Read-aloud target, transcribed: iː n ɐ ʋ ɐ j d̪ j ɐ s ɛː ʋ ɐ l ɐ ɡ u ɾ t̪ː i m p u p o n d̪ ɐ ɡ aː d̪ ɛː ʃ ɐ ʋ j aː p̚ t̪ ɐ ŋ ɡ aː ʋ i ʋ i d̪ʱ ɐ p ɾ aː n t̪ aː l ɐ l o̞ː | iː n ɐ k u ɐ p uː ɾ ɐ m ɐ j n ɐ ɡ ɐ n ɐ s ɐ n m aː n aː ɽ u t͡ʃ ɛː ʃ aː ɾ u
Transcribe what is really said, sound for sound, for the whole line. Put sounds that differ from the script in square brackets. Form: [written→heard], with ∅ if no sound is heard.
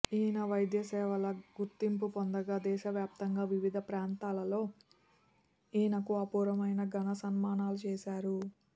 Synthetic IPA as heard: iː n ɐ ʋ ɐ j d̪ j ɐ s ɛː ʋ ɐ l ɐ ɡ u ɾ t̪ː i m p u p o n d̪ ɐ ɡ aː d̪ ɛː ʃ ɐ ʋ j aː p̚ t̪ ɐ ŋ ɡ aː ʋ i ʋ i d̪ʱ ɐ p ɾ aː n t̪ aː l ɐ l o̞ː | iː n ɐ k u ɐ p uː ɾ ɐ m ɐ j n ɐ ɡ ɐ n ɐ s ɐ n m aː n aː [ɽ→l] u t͡ʃ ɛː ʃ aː ɾ u